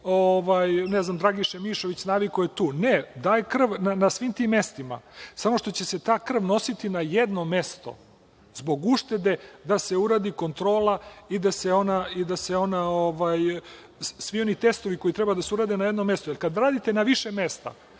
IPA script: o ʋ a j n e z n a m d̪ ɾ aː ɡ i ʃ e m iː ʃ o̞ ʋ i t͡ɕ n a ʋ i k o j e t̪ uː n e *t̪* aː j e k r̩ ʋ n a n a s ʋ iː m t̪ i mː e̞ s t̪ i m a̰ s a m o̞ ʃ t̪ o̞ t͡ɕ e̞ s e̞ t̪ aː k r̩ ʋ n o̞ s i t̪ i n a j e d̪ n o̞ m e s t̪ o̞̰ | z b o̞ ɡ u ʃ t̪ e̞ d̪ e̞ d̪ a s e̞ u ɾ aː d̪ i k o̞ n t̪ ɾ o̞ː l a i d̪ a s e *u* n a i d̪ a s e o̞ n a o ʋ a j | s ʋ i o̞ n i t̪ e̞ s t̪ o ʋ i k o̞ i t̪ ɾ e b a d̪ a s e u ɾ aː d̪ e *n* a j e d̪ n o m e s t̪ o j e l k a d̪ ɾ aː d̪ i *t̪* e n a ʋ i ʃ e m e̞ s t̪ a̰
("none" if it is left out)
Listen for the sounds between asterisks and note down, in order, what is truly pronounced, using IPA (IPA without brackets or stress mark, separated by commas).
d̪, o, n, t̪